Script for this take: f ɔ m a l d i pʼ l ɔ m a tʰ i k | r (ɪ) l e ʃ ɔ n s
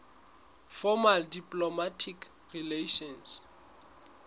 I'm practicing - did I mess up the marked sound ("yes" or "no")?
yes